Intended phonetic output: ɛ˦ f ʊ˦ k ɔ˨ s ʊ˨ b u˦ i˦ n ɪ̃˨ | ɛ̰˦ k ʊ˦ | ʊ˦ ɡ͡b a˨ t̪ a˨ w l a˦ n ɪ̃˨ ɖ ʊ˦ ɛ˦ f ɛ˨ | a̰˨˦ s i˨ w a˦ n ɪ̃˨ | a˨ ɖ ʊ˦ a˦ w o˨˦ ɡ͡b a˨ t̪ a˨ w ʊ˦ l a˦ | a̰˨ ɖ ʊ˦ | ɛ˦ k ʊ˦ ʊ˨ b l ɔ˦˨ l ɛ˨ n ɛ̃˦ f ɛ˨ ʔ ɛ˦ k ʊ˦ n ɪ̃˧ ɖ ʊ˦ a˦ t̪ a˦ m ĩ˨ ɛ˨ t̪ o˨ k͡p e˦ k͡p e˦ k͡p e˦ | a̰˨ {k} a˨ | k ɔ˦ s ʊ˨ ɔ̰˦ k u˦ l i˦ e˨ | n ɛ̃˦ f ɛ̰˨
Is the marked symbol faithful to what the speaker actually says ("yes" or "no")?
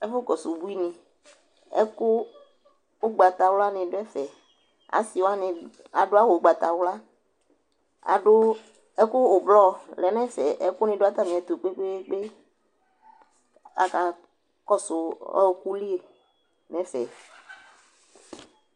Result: yes